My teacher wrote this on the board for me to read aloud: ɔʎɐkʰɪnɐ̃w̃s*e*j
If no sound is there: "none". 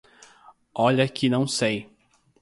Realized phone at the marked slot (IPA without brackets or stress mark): e